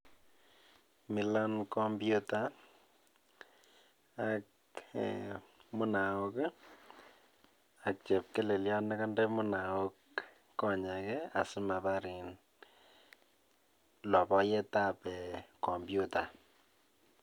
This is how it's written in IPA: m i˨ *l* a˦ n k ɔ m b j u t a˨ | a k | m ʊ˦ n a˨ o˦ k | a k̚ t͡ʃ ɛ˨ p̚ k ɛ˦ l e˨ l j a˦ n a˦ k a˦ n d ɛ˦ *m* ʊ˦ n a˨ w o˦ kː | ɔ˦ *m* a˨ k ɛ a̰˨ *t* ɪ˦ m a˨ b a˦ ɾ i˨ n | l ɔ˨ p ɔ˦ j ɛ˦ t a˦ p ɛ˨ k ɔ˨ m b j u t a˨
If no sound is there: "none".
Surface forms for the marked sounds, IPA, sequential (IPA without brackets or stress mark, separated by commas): l, m, ɲ, s